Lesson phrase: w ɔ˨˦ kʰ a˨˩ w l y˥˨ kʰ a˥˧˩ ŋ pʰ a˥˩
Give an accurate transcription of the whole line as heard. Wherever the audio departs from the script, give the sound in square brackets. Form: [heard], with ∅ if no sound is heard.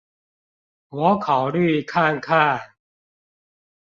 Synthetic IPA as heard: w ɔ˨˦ kʰ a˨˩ w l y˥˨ kʰ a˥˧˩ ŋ [kʰ] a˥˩